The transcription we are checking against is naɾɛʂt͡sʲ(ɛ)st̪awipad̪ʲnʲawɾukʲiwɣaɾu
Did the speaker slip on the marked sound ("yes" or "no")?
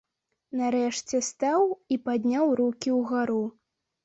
no